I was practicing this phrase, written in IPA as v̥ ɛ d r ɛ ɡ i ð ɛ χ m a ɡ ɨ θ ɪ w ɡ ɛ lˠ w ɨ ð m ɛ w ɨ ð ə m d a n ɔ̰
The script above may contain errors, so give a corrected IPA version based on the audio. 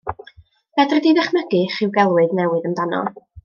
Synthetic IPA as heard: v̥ ɛ d r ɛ d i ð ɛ χ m ə ɡ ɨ χ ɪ w ɡ ɛ lˠ w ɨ ð n ɛ w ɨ ð ə m d a n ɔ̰